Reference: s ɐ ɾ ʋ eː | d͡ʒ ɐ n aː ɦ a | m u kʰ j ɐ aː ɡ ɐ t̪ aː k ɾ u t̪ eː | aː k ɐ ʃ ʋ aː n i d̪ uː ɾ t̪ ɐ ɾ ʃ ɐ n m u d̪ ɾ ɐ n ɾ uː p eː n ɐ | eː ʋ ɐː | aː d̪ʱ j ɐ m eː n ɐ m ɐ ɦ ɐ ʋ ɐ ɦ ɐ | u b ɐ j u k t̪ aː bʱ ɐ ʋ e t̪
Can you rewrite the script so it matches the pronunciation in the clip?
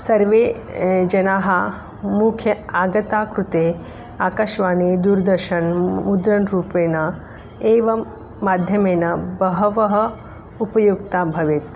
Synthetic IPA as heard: s ɐ ɾ ʋ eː | d͡ʒ ɐ n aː ɦ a | m u kʰ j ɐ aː ɡ ɐ t̪ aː k ɾ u t̪ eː | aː k ɐ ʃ ʋ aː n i d̪ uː ɾ d̪ ɐ ɾ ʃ ɐ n m u d̪ ɾ ɐ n ɾ uː p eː n ɐ | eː ʋ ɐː | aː d̪ʱ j ɐ m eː n ɐ b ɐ ɦ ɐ ʋ ɐ ɦ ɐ | u p ɐ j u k t̪ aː bʱ ɐ ʋ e t̪